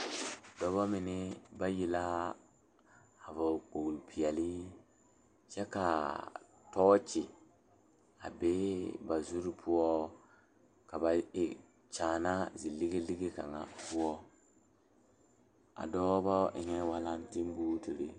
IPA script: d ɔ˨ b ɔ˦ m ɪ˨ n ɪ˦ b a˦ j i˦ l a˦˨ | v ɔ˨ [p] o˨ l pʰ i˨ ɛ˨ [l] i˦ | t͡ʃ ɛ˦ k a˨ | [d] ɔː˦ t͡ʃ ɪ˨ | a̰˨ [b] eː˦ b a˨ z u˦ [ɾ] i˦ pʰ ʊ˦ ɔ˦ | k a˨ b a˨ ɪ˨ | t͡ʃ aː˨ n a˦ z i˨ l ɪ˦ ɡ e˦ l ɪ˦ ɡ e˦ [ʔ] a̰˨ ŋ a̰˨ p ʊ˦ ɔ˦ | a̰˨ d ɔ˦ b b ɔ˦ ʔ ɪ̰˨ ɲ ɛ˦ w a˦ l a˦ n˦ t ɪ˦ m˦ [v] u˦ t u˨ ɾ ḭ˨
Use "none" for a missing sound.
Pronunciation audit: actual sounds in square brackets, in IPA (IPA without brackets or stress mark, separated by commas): k͡p, l, t, b, ɾ, k, b